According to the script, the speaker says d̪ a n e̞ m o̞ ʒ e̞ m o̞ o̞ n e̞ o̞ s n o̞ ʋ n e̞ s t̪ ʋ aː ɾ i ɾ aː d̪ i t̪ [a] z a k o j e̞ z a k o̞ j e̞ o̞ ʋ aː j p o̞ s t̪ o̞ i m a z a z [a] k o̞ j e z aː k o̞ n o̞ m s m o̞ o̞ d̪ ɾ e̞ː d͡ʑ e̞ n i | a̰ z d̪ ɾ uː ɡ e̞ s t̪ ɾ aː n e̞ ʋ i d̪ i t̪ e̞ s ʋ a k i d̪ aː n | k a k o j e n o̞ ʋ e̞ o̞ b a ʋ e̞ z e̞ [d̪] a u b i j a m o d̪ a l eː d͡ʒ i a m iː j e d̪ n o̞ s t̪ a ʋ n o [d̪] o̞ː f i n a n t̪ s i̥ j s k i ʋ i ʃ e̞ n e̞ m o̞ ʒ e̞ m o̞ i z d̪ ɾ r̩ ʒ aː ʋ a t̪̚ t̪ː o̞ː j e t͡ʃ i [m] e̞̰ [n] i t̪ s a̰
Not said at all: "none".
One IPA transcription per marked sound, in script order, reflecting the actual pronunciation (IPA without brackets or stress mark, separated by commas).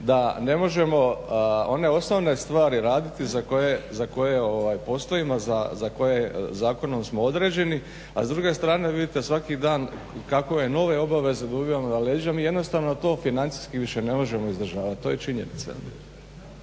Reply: i, a, d̪, t̪, ɲ, n